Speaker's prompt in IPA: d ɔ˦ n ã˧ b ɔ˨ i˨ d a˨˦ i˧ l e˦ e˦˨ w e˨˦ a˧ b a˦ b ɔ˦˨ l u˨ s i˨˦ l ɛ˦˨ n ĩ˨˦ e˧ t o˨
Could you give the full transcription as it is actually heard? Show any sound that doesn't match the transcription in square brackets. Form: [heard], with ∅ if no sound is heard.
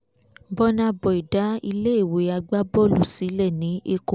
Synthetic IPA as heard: [b] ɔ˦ n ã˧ b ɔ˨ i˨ d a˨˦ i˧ l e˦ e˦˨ w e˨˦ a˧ [ɡ͡b] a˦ b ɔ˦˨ l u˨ s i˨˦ l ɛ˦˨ n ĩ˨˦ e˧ [k] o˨